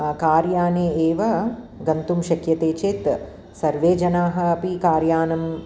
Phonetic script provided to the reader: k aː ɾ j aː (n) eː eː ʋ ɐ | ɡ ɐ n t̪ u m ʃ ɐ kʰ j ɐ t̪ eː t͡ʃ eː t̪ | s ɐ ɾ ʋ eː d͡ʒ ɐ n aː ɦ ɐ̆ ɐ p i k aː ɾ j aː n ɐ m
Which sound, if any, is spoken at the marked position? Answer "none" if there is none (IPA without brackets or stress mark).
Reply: n